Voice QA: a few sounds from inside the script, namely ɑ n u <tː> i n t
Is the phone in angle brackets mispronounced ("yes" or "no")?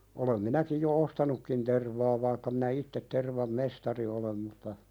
yes